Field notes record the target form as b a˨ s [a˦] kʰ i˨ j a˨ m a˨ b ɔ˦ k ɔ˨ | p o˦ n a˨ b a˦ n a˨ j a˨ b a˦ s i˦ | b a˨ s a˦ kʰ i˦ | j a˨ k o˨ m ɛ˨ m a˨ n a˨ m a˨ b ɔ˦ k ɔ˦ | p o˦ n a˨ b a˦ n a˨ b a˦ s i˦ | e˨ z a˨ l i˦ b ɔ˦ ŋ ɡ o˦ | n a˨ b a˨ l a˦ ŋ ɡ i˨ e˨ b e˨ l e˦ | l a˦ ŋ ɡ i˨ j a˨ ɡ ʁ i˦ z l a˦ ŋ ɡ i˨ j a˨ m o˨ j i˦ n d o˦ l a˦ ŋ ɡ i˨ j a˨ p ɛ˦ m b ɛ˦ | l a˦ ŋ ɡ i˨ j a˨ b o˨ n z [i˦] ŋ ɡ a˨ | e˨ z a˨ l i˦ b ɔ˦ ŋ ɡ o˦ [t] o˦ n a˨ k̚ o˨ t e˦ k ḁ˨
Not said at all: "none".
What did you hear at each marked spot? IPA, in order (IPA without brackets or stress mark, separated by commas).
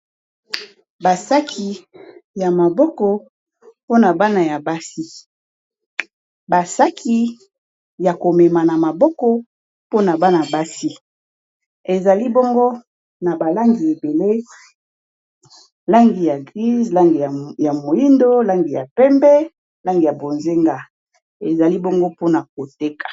a˦, e˦, p